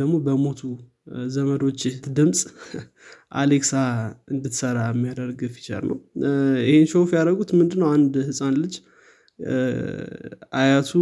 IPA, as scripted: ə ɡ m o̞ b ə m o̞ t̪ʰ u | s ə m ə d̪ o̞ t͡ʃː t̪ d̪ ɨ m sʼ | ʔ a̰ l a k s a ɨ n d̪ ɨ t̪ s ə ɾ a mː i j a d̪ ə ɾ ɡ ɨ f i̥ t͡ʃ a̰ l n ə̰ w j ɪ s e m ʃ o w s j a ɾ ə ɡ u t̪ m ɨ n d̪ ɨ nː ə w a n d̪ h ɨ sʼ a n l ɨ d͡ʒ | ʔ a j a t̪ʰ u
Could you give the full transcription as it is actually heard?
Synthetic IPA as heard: ə ɡ m o̞ b ə m o̞ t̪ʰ u | z ə m ə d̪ o̞ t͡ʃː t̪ d̪ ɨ m sʼ | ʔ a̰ l e k s a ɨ n d̪ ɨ t̪ s ə ɾ a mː i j a d̪ ə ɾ ɡ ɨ f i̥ t͡ʃ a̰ l n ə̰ w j ɪ h e n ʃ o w f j a ɾ ə ɡ u t̪ m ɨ n d̪ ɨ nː ə w a n d̪ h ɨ sʼ a n l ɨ d͡ʒ | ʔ a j a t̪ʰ u